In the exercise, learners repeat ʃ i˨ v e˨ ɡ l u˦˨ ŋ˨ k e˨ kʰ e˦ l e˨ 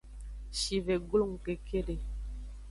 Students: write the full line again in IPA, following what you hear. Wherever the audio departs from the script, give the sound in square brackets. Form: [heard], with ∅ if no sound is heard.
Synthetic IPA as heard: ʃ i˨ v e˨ ɡ l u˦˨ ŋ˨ k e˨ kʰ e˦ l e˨

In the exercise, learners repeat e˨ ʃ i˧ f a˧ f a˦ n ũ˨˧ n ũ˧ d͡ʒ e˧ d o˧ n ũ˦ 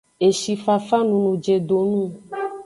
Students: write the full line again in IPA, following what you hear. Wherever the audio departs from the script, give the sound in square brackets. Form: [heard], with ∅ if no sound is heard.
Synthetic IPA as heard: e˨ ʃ i˧ f a˧ f a˦ n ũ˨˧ n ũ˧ d͡ʒ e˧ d o˧ n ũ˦

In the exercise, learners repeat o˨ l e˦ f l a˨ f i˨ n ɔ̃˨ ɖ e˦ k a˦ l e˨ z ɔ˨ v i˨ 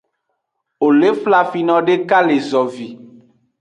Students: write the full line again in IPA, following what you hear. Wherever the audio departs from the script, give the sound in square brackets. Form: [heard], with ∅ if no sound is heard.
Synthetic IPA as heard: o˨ l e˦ f l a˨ f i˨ n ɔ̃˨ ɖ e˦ k a˦ l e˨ z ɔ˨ v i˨

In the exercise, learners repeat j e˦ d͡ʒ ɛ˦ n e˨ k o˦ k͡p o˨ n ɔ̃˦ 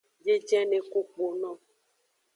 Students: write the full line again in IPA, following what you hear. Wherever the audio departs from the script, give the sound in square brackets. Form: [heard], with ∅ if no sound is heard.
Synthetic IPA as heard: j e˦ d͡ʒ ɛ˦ n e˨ k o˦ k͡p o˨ n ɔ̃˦

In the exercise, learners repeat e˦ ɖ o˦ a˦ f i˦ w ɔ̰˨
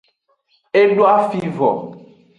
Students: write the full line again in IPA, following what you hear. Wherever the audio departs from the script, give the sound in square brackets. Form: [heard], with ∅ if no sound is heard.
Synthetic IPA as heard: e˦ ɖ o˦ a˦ f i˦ [v] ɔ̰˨

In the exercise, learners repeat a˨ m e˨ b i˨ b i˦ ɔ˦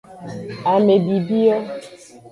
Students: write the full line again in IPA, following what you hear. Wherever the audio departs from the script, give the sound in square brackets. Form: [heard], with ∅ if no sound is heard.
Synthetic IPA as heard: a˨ m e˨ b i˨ b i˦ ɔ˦

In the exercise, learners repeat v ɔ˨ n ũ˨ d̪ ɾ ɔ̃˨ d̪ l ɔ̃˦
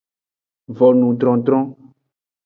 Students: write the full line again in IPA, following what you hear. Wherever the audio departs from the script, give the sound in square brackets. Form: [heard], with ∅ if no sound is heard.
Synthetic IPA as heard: v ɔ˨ n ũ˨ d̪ ɾ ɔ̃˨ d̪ [ɾ] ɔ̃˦

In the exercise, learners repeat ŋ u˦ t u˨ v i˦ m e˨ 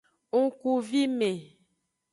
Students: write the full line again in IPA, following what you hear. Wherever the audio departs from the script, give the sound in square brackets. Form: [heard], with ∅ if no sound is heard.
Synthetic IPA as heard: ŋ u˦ [k] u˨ v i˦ m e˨

